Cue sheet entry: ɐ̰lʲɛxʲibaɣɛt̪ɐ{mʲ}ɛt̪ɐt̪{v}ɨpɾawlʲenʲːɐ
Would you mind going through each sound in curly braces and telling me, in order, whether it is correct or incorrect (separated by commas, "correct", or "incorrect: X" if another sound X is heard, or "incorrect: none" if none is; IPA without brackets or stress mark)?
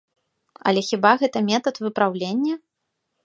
correct, correct